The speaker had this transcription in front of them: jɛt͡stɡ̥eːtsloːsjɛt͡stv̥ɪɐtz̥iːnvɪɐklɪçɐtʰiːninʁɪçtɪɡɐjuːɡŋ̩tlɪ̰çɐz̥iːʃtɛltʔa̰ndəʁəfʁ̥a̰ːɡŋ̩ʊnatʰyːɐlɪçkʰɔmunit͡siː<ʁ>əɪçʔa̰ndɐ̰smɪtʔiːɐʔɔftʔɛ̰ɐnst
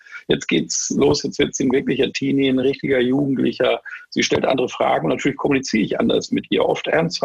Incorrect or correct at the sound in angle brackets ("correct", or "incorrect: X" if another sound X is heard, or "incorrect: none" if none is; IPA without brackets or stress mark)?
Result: correct